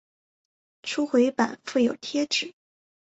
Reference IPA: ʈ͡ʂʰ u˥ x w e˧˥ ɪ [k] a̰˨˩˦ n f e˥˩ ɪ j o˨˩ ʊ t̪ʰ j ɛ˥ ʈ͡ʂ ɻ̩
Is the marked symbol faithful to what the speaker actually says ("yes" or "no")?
no